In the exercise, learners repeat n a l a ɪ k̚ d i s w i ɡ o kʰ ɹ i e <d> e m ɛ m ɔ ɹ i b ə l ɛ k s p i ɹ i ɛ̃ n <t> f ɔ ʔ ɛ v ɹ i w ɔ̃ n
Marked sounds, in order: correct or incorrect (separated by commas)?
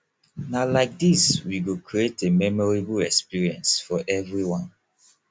incorrect, incorrect